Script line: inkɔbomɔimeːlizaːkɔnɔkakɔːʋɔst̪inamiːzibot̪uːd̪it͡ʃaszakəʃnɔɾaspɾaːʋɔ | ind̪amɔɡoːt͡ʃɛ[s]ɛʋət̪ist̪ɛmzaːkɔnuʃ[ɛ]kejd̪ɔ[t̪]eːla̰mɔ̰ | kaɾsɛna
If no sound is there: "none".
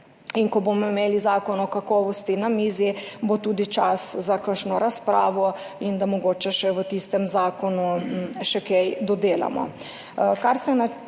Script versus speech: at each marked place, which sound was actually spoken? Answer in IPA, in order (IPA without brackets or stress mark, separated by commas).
ʃ, ɛ, d̪